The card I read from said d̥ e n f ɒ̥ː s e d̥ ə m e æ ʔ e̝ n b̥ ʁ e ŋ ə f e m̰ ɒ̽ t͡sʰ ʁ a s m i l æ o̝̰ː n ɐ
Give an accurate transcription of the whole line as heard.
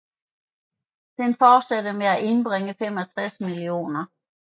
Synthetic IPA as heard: d̥ e n f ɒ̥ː s æ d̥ ə m e æ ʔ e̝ n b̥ ʁ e ŋ ə f e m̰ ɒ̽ t͡sʰ ʁ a s m i l i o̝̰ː n ɐ

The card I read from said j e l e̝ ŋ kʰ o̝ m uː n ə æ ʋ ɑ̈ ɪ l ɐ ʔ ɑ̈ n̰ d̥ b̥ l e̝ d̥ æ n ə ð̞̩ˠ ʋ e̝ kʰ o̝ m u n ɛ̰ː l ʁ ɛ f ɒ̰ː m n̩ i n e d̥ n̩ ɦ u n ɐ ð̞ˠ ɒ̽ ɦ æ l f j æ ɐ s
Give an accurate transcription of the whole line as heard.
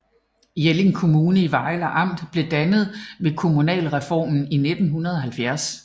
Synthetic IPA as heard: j e l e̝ ŋ kʰ o̝ m uː n ə i ʋ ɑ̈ ɪ l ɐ ʔ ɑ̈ m̰ d̥ b̥ l e̝ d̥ æ n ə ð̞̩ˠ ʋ e̝ kʰ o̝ m u n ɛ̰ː l ʁ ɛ f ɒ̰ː m n̩ i n e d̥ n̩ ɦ u n ɐ ð̞ˠ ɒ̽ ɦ æ l f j æ ɐ s

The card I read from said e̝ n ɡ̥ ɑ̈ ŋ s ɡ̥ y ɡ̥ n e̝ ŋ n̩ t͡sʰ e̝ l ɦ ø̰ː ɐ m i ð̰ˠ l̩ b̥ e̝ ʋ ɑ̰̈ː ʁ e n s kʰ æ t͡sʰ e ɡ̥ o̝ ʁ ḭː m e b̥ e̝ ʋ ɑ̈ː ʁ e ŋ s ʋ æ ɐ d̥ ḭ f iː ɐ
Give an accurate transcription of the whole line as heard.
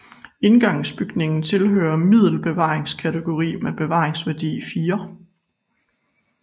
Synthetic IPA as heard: e̝ n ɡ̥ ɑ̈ ŋ s b̥ y ɡ̥ n e̝ ŋ n̩ t͡sʰ e̝ l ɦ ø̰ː ɐ m i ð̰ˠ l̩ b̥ e̝ ʋ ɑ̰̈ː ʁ e ŋ s kʰ æ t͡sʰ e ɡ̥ o̝ ʁ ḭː m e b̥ e̝ ʋ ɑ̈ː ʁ e ŋ s ʋ æ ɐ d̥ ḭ f iː ɐ

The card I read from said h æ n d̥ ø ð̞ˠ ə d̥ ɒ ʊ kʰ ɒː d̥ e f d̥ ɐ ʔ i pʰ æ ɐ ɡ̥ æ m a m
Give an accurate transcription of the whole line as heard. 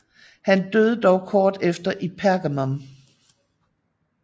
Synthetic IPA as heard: h æ n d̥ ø ð̞ˠ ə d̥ ɒ ʊ kʰ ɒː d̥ e f d̥ ɐ ʔ i pʰ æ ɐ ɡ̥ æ m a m

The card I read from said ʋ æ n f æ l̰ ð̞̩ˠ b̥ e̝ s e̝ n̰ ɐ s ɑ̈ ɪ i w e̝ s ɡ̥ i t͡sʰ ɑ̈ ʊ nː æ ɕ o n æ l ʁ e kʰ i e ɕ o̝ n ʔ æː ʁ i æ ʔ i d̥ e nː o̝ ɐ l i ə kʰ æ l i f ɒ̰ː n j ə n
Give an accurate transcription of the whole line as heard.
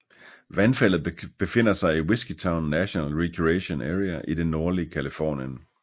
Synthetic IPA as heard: ʋ æ n f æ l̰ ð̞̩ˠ b̥ e̝ f e̝ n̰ ɐ s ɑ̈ ɪ i w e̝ s ɡ̥ i t͡sʰ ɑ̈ ʊ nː æ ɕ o n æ l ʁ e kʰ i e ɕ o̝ n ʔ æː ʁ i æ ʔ i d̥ e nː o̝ ɐ l i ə kʰ æ l i f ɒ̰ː n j ə n

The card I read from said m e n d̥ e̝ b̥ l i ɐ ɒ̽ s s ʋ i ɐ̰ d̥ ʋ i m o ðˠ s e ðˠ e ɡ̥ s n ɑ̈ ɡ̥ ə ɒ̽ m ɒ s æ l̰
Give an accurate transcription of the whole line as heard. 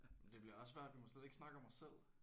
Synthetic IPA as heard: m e n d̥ e̝ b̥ l i ɐ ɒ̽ s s ʋ æ ɐ̰ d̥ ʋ i m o s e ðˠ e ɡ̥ s n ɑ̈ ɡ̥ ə ɒ̽ m ɒ s e l̰

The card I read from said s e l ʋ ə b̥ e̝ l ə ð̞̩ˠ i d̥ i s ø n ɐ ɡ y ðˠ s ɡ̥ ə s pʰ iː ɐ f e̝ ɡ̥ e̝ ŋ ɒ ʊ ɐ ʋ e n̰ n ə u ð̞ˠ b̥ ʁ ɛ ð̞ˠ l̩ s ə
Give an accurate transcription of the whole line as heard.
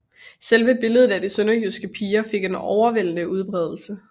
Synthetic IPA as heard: s e l ʋ ə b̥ e̝ l ə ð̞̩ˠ æ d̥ i s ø n ɐ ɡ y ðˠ s ɡ̥ ə pʰ iː ɐ f e̝ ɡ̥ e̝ n ɒ ʊ ɐ ʋ e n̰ n ə u ð̞ˠ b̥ ʁ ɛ ð̞ˠ l̩ s ə

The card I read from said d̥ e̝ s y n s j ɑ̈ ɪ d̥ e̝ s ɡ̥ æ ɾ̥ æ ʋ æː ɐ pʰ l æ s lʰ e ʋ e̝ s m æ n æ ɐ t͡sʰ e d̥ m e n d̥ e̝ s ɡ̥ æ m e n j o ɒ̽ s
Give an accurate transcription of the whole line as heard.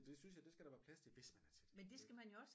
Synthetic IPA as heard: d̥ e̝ s y n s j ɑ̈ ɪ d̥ e̝ s ɡ̥ æ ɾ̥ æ ʋ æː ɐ pʰ l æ s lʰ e ʋ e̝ s m æ n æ ɐ t͡sʰ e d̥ m e n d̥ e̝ s ɡ̥ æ m æ n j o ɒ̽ s

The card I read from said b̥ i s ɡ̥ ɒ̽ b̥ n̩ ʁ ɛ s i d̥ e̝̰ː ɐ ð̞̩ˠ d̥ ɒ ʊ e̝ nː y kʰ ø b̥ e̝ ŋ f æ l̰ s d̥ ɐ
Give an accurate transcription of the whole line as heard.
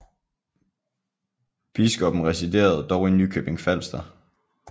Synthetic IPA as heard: b̥ i s ɡ̥ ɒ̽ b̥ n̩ ʁ ɛ s i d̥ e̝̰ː ɐ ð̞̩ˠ d̥ ɒ ʊ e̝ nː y kʰ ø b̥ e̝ ŋ f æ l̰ s d̥ ɐ

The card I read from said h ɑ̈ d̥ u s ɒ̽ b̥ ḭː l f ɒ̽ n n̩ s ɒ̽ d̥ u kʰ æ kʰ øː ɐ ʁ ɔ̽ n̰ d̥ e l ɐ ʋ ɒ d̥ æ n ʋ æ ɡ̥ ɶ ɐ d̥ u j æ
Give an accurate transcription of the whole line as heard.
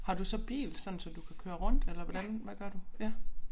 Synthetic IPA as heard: h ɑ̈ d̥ u s ɒ̽ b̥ ḭː l s ɒ̽ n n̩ s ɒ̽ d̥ u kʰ æ kʰ øː ɐ ʁ ɔ̽ n̰ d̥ e l ɐ ʋ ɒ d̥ æ n ʋ æ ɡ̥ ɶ ɐ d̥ u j æ

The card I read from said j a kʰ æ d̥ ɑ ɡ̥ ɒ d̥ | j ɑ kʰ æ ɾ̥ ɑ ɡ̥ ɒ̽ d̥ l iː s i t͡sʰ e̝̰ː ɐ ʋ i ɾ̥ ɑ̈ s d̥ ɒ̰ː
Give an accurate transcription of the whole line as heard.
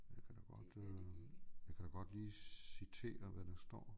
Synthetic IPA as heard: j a kʰ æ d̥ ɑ ɡ̥ ɒ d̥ | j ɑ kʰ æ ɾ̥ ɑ ɡ̥ ɒ̽ d̥ l iː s i t͡sʰ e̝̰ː ɐ ʋ æ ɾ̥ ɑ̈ s d̥ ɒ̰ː

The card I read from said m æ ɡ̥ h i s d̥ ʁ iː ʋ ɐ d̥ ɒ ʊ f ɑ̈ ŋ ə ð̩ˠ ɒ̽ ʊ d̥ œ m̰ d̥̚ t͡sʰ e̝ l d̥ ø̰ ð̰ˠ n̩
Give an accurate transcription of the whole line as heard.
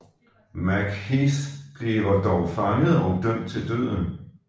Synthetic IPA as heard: m æ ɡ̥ h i s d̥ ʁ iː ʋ ɐ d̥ ɒ ʊ f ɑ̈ ŋ ə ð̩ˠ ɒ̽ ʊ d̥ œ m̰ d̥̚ t͡sʰ e̝ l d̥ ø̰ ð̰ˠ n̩

